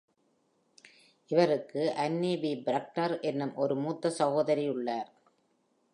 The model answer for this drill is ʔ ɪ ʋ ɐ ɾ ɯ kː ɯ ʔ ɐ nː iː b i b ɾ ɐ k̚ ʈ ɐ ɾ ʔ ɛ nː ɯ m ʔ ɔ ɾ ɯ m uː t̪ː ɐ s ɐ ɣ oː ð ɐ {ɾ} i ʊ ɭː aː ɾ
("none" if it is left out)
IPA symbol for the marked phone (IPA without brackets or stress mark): ɾ